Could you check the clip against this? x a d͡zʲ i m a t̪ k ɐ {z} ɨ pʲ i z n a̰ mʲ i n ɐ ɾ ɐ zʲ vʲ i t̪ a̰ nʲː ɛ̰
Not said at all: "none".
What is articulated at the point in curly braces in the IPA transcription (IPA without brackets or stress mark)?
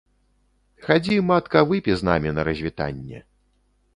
v